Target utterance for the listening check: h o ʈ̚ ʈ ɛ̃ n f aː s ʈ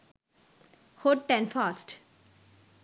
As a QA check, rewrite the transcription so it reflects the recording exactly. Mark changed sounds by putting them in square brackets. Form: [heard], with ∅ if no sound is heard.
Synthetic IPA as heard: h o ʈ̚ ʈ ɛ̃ n f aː s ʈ